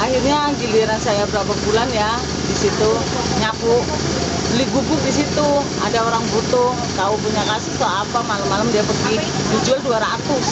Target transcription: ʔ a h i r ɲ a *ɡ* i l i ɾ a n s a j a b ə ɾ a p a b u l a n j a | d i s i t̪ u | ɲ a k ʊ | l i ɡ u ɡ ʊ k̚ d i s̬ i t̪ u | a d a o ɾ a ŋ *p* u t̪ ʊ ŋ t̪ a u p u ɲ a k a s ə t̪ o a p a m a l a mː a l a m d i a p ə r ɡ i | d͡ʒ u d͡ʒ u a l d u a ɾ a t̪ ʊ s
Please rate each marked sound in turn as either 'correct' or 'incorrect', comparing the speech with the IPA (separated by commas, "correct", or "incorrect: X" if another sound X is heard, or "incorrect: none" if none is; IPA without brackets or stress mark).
correct, incorrect: b